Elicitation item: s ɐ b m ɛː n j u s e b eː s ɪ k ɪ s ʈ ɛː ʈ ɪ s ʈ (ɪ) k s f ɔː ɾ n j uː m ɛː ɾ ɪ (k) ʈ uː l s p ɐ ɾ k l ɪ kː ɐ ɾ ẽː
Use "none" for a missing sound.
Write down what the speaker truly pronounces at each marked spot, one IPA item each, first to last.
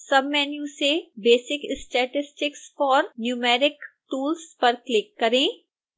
ɪ, k

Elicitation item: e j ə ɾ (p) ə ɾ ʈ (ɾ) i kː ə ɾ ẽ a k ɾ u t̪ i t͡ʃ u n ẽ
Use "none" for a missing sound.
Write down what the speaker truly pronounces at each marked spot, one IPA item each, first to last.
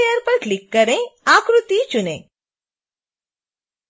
p, l

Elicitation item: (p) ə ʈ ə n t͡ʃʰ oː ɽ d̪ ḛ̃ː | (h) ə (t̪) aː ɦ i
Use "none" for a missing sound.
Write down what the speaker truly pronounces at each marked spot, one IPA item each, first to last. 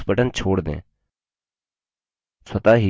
p, s, t̪

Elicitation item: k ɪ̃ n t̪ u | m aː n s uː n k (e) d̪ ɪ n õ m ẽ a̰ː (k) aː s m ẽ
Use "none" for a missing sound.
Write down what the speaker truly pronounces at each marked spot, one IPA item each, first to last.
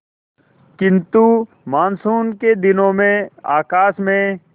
e, k

